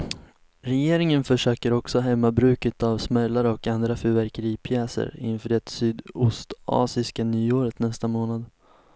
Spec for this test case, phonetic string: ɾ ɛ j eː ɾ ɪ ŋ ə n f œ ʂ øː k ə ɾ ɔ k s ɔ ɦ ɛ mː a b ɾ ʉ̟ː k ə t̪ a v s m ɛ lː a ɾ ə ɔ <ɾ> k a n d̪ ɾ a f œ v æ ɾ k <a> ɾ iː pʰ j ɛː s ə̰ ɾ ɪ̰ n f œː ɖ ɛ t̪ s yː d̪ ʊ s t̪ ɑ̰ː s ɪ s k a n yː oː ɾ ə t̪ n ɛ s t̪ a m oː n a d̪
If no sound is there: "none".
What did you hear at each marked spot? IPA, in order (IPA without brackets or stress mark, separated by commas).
none, ə